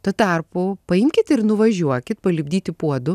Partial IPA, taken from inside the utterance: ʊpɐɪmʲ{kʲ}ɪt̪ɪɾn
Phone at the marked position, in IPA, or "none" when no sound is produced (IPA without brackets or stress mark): kʲ